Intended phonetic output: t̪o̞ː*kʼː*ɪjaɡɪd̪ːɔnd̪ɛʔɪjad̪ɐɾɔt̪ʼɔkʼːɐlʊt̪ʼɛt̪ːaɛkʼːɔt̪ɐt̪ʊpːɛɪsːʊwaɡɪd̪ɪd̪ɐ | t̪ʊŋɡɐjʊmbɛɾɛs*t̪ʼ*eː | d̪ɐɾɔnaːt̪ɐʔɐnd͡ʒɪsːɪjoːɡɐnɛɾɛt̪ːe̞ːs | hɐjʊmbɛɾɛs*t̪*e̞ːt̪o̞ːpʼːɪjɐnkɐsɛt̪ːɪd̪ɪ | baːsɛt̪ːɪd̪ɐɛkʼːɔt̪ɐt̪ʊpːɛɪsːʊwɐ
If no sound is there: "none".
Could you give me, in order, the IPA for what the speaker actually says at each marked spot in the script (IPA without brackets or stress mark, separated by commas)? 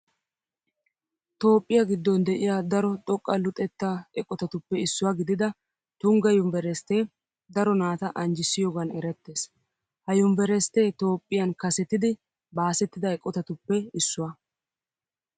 pʼː, t̪, t̪